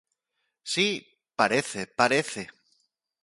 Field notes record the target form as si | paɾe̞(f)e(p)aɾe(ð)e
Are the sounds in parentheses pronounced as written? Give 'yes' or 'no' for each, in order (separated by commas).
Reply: no, yes, no